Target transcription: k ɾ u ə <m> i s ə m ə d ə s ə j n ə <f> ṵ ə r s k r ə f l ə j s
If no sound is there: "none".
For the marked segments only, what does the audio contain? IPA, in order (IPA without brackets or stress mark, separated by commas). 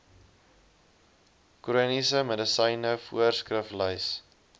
n, f